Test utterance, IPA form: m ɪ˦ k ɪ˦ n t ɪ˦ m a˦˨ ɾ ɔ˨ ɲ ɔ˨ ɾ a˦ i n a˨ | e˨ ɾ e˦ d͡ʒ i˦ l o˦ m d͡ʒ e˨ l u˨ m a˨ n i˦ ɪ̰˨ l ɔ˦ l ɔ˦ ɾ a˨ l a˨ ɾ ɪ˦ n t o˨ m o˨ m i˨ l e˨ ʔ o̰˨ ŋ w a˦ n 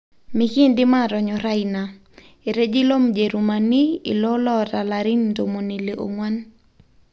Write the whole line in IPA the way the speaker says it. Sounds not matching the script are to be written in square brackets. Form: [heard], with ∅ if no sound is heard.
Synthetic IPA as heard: m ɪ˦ k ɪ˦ n [d] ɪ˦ m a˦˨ ɾ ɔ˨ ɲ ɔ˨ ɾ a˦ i n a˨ | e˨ ɾ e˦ d͡ʒ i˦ l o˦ m d͡ʒ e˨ [ɾ] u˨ m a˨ n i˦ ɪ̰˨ l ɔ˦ l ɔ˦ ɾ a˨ l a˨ ɾ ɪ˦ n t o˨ m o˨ [n] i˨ l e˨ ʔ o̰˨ ŋ w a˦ n